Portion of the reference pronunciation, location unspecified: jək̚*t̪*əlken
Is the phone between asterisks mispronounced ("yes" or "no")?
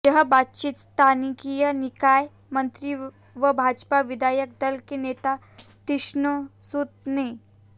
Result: yes